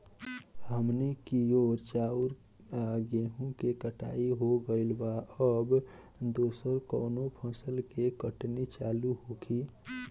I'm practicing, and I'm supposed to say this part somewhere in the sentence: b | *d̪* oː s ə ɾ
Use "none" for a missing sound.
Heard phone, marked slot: d̪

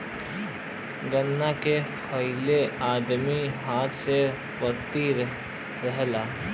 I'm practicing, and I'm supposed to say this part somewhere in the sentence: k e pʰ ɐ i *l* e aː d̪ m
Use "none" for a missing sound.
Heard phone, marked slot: l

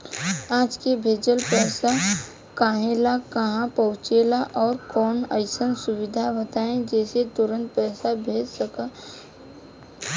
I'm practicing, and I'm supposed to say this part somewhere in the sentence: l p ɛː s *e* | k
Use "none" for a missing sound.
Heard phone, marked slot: a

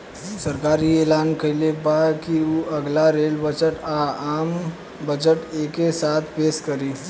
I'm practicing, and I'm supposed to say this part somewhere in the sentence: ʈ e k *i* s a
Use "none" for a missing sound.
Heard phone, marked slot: e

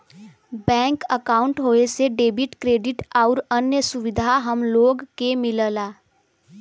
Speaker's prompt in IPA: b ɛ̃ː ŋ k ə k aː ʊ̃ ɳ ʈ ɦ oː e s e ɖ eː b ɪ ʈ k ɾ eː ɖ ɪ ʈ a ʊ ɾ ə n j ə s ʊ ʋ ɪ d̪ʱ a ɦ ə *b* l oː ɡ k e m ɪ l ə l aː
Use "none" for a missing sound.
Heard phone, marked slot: m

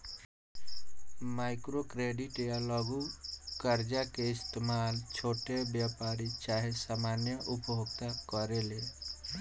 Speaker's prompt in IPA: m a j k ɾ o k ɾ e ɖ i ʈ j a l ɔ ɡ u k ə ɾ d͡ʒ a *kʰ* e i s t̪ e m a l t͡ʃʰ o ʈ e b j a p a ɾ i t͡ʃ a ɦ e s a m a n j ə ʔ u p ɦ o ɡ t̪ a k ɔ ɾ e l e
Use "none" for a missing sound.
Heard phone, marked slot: k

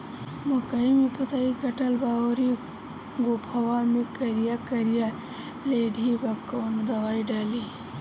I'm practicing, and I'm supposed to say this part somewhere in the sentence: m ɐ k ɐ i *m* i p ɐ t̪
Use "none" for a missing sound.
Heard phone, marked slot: m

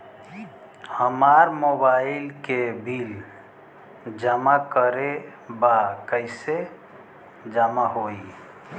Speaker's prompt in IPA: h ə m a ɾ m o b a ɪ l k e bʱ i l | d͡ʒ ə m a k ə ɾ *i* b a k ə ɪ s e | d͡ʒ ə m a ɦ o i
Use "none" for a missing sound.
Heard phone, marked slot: e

